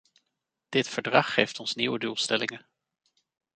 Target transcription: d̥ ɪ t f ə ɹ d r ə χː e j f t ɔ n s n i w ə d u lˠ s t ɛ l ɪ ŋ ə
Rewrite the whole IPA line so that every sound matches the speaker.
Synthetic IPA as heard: d̥ ɪ t f ə ɹ d r ɑ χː e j f t ɔ n s n i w ə d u lˠ s t ɛ l ɪ ŋ ə